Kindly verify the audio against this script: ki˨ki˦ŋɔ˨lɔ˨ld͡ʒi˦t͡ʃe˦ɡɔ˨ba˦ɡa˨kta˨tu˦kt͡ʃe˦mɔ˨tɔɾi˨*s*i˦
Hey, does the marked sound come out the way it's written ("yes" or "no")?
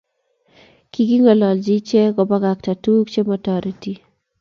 no